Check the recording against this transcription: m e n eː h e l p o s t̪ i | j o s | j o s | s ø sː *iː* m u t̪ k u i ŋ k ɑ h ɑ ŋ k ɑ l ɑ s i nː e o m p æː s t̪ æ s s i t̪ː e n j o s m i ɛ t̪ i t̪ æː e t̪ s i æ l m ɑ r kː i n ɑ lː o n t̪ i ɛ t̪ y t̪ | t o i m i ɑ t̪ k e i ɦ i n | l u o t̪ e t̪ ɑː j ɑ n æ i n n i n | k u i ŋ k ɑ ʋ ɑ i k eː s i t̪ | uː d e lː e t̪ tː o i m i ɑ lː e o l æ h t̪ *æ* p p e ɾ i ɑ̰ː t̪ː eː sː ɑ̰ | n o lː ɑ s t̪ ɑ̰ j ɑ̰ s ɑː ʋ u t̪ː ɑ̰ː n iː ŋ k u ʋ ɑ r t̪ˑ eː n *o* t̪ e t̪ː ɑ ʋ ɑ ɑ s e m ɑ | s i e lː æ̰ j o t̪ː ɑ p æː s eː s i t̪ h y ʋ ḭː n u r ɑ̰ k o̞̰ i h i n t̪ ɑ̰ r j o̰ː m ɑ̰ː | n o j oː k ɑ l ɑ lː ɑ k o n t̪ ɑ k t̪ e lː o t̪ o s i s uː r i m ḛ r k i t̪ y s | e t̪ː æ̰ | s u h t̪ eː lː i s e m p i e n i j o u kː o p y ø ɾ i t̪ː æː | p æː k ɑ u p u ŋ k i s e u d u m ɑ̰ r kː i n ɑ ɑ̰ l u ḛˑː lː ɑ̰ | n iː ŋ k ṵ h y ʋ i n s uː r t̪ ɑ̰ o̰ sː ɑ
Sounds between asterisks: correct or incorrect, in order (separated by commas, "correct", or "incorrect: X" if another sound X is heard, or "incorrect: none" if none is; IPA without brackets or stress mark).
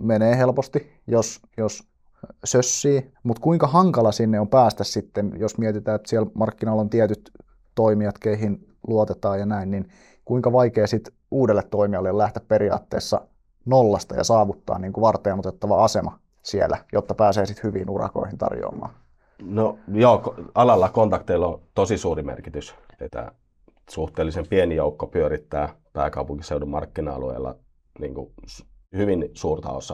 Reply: correct, correct, correct